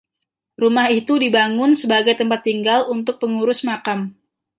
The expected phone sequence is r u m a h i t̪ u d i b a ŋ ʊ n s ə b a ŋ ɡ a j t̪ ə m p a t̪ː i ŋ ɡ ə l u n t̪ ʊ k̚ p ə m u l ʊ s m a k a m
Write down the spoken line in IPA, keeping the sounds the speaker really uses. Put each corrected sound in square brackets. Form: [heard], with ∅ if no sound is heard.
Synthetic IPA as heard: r u m a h i t̪ u d i b a ŋ ʊ n s ə b a [∅] ɡ a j t̪ ə m p a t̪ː i ŋ ɡ [a] l u n t̪ ʊ k̚ p ə [ŋ] u [ɾ] ʊ s m a k a m